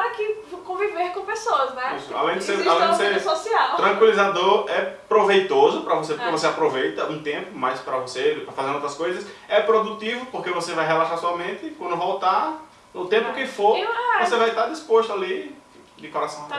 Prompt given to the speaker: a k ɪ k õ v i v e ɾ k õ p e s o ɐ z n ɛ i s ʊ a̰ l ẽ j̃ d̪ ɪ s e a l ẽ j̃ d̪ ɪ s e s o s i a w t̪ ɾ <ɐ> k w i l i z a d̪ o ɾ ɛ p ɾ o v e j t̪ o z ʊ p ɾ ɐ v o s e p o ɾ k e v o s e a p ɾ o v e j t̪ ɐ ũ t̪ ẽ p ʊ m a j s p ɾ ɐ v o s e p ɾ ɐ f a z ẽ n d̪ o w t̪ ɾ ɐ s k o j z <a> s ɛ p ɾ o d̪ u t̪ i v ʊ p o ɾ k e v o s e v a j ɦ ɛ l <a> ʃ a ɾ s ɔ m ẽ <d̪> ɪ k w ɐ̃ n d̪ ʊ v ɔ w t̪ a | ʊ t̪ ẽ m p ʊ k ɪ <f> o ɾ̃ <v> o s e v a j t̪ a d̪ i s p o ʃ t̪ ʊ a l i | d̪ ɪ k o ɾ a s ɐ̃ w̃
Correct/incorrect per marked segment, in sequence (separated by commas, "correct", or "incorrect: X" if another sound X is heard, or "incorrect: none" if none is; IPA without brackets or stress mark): incorrect: ɐ̃, incorrect: ɐ, correct, incorrect: t̪, correct, correct